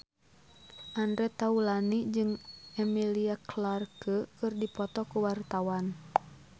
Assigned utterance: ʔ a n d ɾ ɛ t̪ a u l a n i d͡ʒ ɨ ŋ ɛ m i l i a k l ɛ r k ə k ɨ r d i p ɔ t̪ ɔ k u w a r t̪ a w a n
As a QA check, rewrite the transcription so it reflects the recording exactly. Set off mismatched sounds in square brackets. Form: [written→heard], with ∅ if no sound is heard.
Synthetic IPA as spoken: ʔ a n d ɾ ɛ t̪ a u l a n i d͡ʒ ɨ ŋ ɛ m i l i a k l [ɛ→a] r k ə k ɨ r d i p ɔ t̪ ɔ k u w a r t̪ a w a n